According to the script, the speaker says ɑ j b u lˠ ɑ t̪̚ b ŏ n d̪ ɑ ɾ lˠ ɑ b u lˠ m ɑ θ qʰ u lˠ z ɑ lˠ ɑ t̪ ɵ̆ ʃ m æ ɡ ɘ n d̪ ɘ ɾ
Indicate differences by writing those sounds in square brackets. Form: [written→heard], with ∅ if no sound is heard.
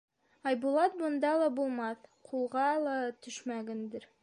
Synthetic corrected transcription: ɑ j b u lˠ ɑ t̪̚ b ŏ n d̪ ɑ [ɾ→∅] lˠ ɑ b u lˠ m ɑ θ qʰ u lˠ [z→ʁ] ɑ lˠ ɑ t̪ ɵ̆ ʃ m æ ɡ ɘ n d̪ ɘ ɾ

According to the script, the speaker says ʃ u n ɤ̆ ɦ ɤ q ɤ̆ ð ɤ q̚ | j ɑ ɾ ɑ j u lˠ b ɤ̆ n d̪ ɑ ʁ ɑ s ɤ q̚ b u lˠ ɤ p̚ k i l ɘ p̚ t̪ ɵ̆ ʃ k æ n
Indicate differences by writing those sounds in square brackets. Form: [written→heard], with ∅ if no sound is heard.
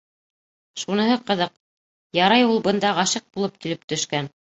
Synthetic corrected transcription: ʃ u n ɤ̆ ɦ ɤ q ɤ̆ ð ɤ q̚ | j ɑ ɾ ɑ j u lˠ b ɤ̆ n d̪ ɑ ʁ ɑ [s→ʃ] ɤ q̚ b u lˠ ɤ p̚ k i l ɘ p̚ t̪ ɵ̆ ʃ k æ n

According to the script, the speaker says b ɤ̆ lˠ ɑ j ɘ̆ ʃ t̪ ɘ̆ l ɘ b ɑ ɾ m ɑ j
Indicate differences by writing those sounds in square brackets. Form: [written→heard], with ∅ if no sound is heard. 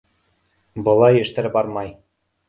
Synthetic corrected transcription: b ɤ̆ lˠ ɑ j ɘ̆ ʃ t̪ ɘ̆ [l→ɾ] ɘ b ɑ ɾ m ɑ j

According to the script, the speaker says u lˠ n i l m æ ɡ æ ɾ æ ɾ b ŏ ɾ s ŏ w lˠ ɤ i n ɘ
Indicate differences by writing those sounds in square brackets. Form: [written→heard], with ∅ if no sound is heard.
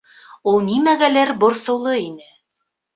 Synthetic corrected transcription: u lˠ n i [l→∅] m æ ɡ æ [ɾ→l] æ ɾ b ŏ ɾ s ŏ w lˠ ɤ i n ɘ

